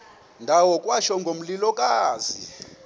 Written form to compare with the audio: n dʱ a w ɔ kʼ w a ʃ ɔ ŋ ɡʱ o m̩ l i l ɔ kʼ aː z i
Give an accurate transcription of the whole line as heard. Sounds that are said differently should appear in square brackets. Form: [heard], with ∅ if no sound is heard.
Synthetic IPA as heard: n dʱ a w ɔ kʼ w a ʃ ɔ ŋ ɡʱ o m̩ l i l ɔ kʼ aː z i